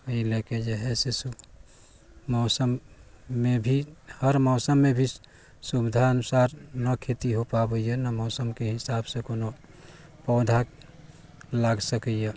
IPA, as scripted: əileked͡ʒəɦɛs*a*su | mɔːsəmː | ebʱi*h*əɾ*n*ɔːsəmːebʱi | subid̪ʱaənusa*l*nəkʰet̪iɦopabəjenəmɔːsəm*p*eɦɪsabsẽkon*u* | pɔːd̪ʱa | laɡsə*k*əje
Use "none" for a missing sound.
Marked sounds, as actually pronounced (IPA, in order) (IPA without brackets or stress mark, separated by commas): e, h, m, ɾ, k, o, k